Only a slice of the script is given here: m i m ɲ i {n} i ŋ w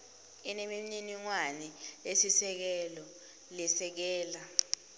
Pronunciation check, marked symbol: correct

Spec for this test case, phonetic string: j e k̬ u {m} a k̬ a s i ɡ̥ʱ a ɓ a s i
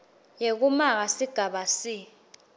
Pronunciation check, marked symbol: correct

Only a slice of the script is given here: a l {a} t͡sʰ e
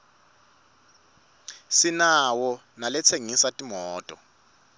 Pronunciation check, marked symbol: incorrect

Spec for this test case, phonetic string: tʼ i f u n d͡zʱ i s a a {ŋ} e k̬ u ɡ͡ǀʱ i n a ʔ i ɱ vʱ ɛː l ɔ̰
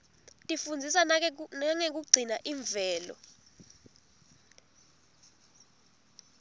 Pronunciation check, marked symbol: correct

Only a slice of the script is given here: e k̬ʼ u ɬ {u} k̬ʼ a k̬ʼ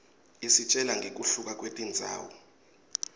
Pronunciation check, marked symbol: correct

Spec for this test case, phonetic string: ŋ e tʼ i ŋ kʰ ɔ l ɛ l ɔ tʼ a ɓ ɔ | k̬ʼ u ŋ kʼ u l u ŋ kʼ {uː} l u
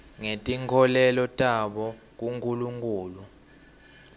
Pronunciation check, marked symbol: correct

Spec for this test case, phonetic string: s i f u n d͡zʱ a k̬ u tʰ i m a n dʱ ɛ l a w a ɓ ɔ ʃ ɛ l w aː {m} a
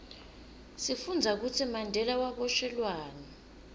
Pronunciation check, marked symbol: incorrect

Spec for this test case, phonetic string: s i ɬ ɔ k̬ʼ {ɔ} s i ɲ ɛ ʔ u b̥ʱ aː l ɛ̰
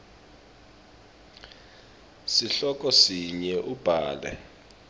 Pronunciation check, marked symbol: correct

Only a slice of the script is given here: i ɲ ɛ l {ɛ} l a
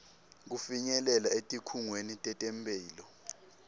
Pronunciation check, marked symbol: correct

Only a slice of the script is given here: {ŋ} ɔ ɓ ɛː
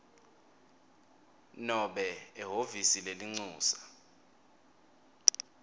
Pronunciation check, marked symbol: incorrect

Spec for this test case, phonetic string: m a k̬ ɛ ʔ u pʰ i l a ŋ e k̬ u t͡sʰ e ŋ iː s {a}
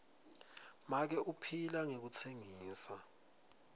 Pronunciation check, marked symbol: correct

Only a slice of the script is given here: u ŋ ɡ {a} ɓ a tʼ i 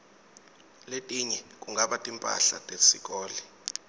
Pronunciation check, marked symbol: correct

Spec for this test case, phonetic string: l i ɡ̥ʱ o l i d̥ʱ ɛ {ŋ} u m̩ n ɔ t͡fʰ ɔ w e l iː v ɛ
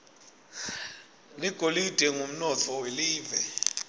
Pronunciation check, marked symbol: correct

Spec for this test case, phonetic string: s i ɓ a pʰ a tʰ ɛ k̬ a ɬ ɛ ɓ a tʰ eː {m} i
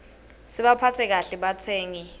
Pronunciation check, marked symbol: incorrect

